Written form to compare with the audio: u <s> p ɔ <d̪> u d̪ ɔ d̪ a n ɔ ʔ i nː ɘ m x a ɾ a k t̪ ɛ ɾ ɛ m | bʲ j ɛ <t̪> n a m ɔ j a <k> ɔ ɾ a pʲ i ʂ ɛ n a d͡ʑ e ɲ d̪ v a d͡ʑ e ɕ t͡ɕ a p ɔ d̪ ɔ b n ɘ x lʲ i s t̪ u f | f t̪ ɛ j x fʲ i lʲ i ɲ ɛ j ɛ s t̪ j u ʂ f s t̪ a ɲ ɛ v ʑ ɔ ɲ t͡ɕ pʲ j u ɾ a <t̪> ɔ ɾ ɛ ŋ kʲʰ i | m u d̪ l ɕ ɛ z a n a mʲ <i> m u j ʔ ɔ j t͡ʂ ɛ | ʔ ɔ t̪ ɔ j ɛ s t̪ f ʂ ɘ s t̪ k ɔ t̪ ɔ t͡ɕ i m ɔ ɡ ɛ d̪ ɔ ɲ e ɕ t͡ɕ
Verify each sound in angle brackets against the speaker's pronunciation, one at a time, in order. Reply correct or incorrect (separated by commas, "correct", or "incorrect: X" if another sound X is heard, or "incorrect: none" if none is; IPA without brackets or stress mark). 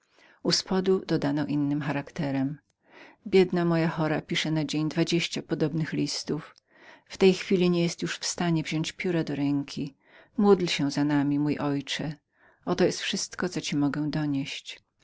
correct, correct, incorrect: d̪, incorrect: x, incorrect: d̪, correct